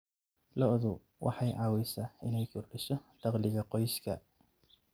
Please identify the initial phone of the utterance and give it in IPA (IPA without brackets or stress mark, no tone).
l